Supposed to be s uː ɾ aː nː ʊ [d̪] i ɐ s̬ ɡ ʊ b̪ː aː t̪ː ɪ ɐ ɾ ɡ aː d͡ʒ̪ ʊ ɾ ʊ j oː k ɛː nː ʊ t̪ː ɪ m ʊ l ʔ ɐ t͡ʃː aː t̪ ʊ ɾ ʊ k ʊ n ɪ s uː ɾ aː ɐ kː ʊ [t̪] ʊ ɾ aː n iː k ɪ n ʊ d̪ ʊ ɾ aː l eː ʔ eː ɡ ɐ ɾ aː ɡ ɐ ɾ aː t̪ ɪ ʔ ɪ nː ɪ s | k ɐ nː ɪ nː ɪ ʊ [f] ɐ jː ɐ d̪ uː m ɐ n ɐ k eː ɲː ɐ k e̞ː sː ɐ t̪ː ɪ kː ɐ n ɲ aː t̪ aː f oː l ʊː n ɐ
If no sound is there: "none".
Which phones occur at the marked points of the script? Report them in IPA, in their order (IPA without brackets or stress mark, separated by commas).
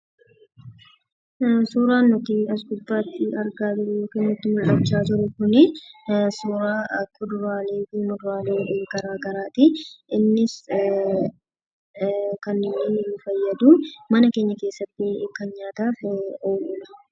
t̪, d̪, f